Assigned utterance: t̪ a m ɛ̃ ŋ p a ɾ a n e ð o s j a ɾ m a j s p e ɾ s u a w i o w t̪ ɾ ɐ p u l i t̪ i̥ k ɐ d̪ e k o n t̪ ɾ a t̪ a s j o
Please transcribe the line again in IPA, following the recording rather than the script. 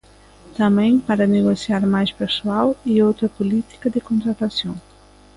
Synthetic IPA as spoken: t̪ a m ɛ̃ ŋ p a ɾ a n e ɣ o s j a ɾ m a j s p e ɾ s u a w i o w t̪ ɾ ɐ p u l i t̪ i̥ k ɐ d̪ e k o n t̪ ɾ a t̪ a s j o